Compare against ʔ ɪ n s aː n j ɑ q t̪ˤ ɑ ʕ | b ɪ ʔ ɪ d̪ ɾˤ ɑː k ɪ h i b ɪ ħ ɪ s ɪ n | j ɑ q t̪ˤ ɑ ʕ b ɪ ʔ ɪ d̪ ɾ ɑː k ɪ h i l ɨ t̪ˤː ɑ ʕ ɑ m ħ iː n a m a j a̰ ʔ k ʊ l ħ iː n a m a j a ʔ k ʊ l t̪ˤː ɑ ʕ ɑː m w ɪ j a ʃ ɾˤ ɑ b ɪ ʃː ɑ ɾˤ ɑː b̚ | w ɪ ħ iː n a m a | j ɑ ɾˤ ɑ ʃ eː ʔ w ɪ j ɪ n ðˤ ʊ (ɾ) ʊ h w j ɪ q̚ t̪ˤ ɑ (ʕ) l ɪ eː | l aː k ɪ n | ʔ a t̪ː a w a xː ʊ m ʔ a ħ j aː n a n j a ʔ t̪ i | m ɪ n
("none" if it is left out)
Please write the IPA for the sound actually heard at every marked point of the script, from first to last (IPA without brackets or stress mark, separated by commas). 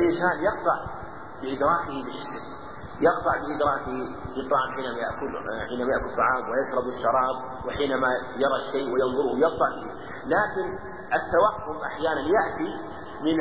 ɾ, ʕ